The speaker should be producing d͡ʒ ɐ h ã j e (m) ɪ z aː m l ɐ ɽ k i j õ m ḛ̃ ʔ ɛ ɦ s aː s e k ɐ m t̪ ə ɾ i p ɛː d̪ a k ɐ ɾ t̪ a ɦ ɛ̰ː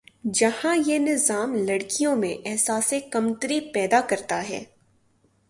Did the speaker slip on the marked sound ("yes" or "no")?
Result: yes